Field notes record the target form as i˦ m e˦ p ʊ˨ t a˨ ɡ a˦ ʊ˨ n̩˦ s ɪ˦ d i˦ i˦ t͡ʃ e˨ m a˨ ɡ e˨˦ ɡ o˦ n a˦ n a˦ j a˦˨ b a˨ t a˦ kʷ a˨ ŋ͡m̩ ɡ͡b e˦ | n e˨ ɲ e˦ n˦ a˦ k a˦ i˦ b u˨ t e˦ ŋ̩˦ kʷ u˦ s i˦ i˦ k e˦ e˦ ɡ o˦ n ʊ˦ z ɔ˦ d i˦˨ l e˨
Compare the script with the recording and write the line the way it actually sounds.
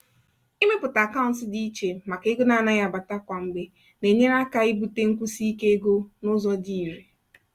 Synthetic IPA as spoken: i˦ m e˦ p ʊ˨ t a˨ k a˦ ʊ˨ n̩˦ s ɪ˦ d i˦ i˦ t͡ʃ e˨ m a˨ k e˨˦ ɡ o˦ n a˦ n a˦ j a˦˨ b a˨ t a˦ kʷ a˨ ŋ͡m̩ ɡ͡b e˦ | n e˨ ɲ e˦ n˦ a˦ k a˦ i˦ b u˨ t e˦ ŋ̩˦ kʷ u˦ s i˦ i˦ k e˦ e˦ ɡ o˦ n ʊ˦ z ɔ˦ d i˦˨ ɾ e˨